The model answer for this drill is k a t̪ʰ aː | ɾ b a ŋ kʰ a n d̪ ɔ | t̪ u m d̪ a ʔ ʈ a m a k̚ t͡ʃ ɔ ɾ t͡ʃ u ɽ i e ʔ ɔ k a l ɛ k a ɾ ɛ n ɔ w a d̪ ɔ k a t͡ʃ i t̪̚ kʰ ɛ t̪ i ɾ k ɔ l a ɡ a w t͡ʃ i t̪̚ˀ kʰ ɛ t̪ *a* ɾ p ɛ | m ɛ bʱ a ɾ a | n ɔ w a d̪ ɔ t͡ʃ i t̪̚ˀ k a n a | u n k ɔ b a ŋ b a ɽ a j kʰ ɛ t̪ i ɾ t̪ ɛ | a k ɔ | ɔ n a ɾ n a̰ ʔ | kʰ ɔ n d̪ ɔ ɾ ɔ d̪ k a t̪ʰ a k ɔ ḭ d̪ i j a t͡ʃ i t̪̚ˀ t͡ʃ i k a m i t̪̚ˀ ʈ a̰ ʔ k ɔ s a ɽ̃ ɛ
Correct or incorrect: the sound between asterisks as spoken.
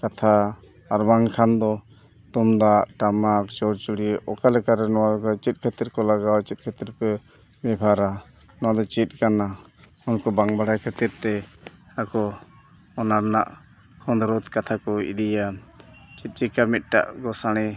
incorrect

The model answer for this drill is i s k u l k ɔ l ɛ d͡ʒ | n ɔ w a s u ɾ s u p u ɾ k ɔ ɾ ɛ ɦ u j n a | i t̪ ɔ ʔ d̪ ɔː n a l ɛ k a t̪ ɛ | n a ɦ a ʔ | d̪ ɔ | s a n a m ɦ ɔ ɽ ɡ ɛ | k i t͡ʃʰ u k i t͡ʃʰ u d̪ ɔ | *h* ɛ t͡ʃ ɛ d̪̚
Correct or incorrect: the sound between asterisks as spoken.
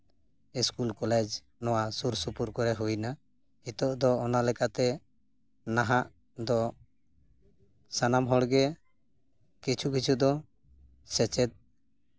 incorrect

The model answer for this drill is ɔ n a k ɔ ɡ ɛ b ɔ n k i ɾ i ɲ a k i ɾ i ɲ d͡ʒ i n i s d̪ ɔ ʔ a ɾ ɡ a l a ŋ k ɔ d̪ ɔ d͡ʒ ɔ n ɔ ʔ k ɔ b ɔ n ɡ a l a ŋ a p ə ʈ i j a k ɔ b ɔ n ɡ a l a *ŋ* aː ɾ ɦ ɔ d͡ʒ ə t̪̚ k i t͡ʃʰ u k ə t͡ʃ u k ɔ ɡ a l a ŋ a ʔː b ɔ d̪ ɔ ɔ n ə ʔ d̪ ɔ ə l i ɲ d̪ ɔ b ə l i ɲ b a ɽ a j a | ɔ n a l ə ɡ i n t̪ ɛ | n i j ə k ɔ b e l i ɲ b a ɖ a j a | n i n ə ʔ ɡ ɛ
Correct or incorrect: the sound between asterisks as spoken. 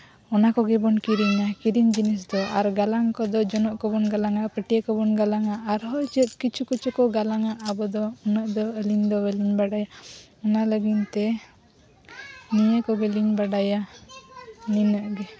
correct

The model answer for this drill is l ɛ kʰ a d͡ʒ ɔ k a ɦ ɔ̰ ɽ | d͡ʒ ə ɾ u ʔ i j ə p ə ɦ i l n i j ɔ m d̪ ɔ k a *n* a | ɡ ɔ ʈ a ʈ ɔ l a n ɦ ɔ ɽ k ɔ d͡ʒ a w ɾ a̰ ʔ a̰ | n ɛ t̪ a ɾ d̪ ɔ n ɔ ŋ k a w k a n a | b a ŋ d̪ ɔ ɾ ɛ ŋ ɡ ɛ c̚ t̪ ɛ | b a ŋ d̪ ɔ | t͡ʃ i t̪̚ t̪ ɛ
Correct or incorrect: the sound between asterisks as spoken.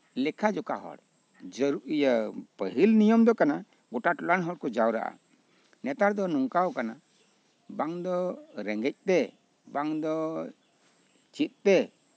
correct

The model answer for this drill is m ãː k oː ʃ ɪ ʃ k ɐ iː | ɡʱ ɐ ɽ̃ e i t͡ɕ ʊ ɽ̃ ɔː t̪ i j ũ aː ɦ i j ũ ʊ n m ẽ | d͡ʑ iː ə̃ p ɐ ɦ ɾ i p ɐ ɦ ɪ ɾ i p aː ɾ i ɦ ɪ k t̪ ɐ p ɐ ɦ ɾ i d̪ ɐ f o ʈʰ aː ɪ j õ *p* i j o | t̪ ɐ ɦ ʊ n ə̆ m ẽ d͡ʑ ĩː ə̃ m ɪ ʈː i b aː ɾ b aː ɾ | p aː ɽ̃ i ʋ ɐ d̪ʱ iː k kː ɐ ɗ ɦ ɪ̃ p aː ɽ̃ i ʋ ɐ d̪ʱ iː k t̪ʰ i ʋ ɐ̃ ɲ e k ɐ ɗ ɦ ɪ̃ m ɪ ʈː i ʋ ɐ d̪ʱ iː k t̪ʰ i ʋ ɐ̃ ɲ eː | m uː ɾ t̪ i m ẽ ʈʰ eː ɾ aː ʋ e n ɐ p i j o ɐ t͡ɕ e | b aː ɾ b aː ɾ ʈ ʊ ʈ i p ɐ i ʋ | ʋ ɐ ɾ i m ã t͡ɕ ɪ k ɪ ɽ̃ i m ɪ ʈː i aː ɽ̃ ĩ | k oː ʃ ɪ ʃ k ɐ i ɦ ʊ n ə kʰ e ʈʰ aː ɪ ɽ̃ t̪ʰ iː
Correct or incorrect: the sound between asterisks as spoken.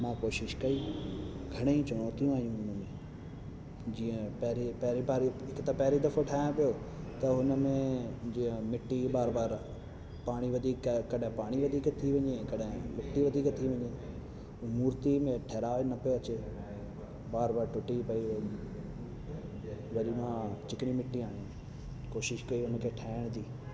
correct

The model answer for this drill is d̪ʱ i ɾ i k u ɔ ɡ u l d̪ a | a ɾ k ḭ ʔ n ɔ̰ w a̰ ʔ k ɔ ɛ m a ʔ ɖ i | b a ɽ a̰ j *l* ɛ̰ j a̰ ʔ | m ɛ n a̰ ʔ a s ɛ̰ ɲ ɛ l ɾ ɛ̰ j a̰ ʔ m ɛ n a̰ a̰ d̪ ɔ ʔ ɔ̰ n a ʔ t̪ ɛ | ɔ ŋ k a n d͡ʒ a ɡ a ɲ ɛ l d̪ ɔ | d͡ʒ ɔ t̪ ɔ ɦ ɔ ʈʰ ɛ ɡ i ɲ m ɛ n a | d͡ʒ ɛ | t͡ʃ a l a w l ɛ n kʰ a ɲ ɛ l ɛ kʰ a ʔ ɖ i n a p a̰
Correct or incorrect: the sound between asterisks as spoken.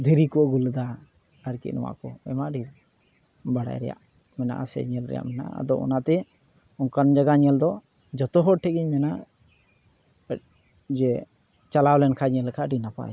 incorrect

